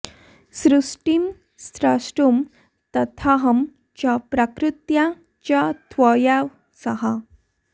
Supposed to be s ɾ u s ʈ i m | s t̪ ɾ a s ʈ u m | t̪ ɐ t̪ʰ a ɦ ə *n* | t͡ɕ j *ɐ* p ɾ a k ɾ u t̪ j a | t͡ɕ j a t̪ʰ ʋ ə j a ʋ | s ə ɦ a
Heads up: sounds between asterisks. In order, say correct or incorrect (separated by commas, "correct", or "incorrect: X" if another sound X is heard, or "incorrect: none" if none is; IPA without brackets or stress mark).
incorrect: m, incorrect: a